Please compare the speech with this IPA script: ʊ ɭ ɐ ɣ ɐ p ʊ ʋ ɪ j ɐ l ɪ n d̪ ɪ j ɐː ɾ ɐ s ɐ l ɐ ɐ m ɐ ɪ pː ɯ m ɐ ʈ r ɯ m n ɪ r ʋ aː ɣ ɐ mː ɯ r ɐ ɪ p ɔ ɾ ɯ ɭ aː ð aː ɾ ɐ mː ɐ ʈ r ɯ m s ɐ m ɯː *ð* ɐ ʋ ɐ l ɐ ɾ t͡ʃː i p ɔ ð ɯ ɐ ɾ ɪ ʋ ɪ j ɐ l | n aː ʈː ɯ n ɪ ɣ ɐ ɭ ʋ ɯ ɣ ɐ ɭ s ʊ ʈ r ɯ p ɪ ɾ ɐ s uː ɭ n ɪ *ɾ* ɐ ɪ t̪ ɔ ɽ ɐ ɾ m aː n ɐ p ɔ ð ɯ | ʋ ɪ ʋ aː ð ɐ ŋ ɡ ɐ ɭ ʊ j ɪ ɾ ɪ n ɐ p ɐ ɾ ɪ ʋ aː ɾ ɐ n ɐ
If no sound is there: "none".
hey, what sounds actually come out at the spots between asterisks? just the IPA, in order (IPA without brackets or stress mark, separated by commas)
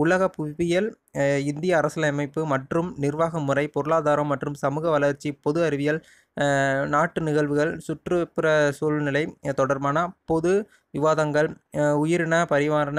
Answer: ɣ, l